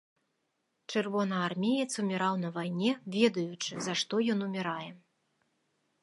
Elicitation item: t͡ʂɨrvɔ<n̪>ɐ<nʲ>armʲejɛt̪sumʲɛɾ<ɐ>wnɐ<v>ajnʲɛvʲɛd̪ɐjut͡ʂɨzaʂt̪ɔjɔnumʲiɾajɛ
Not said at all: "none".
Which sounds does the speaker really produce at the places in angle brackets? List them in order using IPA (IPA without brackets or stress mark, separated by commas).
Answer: n̪, none, a, v